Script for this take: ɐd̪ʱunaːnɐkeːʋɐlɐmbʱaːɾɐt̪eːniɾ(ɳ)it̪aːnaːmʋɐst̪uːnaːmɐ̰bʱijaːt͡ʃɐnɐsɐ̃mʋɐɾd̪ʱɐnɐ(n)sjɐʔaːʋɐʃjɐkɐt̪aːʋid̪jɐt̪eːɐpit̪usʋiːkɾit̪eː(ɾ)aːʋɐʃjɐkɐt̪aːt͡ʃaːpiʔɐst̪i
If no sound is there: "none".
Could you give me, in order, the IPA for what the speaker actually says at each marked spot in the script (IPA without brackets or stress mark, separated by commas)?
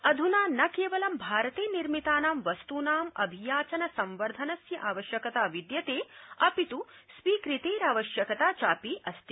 m, none, ɾ